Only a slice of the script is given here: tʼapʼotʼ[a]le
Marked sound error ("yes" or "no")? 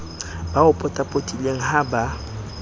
yes